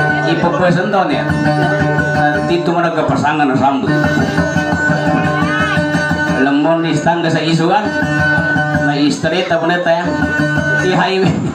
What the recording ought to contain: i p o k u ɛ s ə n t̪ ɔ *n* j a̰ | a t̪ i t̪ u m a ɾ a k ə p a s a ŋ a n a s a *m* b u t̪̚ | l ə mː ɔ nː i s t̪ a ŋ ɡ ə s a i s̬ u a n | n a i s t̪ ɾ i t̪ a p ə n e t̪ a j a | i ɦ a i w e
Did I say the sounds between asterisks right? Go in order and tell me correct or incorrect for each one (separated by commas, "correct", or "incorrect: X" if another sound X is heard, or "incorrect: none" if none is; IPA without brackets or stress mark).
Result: correct, correct